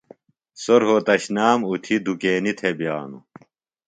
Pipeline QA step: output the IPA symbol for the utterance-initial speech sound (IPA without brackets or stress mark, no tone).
s